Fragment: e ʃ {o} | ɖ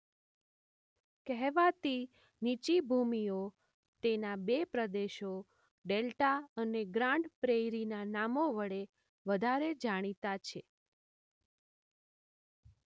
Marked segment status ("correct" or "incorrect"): correct